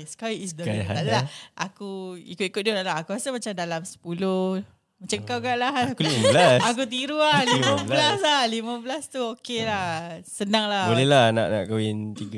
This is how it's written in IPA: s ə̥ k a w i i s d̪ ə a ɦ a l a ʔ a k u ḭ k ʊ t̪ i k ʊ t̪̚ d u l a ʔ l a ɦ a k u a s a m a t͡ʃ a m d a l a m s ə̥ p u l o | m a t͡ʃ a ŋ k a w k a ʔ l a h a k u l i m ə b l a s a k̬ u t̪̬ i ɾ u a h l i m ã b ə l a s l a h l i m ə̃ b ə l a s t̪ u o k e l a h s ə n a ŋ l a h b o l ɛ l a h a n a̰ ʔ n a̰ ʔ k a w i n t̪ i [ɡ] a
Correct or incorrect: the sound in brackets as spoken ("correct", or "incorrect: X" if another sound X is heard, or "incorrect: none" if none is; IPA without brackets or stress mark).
correct